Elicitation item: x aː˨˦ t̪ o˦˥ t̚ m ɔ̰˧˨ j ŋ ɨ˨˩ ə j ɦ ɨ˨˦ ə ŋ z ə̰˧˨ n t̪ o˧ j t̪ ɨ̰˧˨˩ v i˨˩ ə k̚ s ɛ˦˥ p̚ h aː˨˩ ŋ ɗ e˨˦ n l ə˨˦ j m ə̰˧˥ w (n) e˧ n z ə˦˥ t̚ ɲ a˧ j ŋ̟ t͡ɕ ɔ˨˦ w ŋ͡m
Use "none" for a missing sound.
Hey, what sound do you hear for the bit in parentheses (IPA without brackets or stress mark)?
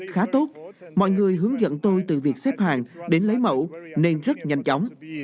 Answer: n